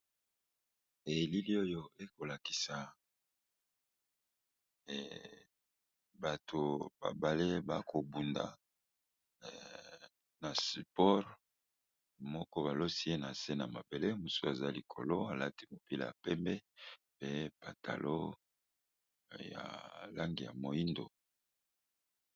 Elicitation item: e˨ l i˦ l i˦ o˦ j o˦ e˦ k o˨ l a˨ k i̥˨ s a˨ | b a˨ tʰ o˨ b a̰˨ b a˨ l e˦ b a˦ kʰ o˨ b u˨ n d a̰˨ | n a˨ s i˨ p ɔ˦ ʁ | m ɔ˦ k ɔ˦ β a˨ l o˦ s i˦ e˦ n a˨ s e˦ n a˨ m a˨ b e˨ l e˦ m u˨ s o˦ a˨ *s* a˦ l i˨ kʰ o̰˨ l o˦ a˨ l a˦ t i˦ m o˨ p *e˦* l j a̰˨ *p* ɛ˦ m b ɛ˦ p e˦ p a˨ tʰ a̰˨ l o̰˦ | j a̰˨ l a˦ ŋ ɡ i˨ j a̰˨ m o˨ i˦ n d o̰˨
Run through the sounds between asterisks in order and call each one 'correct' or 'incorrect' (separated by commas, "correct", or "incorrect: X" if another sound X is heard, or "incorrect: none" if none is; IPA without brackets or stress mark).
incorrect: z, incorrect: i˦, correct